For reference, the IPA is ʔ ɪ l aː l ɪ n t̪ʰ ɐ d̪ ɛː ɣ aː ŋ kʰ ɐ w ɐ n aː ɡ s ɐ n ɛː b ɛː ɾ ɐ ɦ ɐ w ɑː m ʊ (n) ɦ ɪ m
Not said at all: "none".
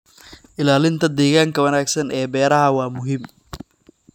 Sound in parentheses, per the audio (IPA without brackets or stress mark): none